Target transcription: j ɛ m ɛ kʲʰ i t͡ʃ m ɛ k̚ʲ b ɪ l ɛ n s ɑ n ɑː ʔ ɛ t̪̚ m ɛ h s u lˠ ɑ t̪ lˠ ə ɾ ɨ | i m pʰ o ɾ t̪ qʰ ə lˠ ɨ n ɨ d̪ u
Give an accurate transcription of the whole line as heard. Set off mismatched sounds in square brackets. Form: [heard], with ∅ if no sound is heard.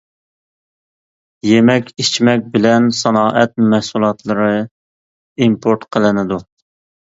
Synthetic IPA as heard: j [e] m ɛ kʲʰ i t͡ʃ m ɛ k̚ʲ b ɪ l ɛ n s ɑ n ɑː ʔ ɛ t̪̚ m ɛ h s u lˠ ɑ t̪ lˠ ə ɾ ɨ | i m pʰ o ɾ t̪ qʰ ə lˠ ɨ n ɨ d̪ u